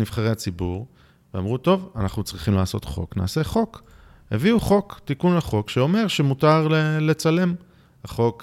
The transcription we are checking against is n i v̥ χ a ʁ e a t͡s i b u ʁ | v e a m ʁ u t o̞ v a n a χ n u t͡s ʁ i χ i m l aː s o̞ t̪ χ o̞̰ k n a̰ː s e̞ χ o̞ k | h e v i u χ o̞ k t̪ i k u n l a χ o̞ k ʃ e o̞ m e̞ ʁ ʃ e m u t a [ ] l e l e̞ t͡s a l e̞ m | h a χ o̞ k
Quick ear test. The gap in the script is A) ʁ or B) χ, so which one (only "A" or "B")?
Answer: A